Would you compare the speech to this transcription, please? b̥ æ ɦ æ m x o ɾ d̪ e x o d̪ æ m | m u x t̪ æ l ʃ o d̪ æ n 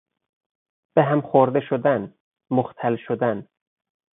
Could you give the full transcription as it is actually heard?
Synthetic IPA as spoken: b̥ e ɦ æ m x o ɾ d̪ e ʃ o d̪ æ n | m o x t̪ʰ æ l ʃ o d̪ æ n